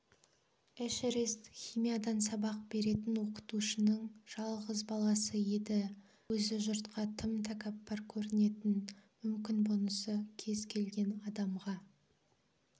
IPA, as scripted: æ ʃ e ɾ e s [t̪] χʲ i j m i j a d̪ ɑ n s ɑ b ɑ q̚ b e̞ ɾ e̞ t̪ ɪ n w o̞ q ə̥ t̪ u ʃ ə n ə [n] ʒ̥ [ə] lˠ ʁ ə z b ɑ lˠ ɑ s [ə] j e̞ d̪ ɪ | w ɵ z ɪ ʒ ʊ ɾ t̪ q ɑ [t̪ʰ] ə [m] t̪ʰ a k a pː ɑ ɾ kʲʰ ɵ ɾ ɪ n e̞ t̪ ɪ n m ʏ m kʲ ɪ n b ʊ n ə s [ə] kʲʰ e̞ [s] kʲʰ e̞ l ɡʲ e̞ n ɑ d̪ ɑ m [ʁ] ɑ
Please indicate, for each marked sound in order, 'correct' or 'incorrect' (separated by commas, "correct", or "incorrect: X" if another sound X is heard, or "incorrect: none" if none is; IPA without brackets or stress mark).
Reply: correct, incorrect: ɴ, incorrect: ɑ, correct, correct, correct, correct, incorrect: z, correct